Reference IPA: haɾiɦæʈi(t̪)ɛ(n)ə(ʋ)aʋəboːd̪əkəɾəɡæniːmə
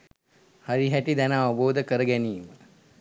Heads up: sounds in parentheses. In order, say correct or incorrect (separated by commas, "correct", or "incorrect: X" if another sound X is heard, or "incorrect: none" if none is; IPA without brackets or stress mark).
incorrect: d̪, correct, incorrect: none